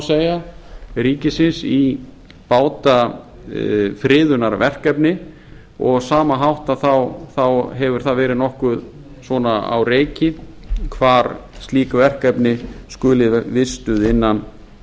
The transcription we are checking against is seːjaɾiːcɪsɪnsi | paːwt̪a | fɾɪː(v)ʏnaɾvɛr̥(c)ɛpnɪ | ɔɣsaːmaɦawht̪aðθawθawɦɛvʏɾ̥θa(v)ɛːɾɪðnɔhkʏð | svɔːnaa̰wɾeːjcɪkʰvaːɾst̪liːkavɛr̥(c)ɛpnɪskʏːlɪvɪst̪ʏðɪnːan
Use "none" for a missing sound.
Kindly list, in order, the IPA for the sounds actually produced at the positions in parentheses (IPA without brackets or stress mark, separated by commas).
ð, k, v, k